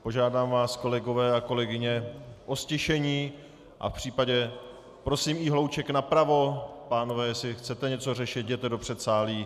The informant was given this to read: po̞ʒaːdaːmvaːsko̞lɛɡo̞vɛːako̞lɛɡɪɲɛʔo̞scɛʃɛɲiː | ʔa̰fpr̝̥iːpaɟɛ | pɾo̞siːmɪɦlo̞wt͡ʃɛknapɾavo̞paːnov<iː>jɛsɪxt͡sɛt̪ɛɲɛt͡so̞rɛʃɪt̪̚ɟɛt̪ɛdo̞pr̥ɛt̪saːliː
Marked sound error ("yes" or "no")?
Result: yes